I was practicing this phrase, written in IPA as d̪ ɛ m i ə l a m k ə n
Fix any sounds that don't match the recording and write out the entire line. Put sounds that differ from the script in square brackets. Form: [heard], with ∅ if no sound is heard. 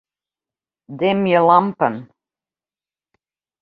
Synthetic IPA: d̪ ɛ m [j] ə l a m [p] ə n